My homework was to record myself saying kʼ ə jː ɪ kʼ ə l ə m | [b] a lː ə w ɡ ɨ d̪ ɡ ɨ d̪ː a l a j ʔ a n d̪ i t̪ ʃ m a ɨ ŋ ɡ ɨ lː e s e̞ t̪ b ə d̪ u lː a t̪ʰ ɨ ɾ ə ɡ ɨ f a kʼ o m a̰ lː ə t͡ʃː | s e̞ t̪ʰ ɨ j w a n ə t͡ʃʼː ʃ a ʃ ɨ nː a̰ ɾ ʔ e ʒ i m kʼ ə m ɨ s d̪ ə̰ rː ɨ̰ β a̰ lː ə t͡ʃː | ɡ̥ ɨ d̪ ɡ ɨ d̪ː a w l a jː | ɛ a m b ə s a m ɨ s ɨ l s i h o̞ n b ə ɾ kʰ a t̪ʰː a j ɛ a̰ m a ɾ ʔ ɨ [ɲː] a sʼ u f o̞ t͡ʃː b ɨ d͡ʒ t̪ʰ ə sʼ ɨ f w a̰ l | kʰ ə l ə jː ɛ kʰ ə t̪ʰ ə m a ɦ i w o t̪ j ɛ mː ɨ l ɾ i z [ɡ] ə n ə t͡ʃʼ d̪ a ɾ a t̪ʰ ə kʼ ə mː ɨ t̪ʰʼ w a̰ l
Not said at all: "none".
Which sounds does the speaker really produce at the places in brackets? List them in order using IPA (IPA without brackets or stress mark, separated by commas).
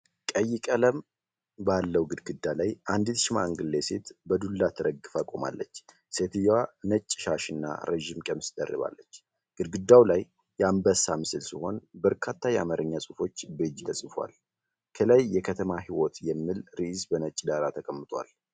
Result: b, ɲː, b